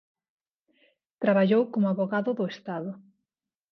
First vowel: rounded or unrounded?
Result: unrounded